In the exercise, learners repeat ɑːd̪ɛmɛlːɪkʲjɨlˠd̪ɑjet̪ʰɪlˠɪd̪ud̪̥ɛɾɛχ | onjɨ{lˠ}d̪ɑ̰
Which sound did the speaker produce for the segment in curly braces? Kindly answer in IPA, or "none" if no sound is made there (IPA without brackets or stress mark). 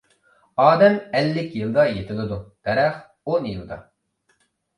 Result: lˠ